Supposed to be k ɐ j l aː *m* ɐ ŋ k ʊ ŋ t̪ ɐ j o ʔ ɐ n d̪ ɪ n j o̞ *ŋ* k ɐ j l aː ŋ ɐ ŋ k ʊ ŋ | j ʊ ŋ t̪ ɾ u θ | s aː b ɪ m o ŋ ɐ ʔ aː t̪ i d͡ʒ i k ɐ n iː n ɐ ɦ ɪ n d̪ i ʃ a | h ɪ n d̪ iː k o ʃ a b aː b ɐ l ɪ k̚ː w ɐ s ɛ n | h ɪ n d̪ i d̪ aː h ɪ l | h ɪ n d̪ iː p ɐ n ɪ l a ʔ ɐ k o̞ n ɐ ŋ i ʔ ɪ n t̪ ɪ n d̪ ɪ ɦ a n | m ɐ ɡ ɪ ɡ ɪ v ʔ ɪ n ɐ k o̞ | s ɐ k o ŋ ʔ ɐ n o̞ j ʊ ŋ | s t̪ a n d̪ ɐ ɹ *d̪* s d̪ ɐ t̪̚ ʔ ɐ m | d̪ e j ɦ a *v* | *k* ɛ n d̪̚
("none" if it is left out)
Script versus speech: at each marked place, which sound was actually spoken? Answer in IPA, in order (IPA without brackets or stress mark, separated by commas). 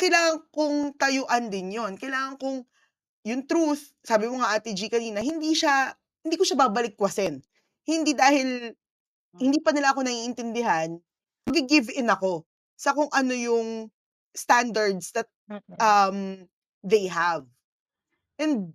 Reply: ŋ, n, d̪, v, ʔ